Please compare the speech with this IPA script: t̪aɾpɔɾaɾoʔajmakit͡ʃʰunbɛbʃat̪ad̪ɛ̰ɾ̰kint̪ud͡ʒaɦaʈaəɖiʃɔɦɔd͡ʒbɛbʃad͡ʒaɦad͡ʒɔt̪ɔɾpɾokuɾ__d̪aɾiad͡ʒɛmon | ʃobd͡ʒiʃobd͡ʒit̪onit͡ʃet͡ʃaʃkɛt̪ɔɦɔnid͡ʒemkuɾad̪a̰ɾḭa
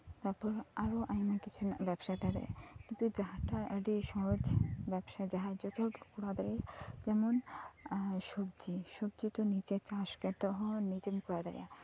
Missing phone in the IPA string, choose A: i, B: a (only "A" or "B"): B